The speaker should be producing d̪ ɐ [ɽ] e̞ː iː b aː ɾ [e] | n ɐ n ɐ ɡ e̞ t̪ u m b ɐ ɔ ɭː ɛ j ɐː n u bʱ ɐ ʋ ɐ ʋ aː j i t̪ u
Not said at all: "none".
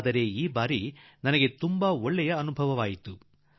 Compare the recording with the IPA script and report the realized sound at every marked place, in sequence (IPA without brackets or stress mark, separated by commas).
ɾ, i